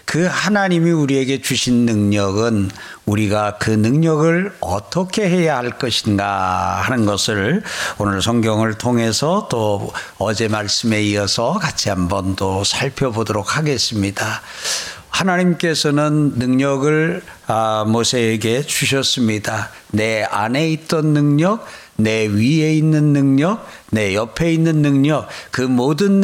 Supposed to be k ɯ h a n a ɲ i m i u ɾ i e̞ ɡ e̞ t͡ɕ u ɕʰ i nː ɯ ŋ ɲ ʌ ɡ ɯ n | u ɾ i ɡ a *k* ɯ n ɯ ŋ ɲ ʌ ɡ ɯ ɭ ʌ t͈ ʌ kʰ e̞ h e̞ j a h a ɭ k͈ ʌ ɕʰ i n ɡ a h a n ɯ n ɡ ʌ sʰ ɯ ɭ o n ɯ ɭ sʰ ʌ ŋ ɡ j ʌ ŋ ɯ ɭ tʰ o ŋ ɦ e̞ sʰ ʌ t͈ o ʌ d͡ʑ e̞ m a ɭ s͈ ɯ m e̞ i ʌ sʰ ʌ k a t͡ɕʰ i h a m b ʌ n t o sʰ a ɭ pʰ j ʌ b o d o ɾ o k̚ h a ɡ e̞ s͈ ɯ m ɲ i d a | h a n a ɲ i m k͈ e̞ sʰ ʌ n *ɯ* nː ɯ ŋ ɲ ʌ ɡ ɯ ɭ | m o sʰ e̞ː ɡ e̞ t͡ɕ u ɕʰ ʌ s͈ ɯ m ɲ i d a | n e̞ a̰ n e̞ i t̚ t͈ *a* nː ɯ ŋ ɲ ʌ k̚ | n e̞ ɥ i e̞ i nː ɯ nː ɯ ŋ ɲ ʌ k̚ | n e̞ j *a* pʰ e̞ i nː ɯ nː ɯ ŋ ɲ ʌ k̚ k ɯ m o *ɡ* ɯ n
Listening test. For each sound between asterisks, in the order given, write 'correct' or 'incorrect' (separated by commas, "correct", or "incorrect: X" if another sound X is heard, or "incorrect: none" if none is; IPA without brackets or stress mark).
correct, correct, incorrect: ʌ, incorrect: ʌ, incorrect: d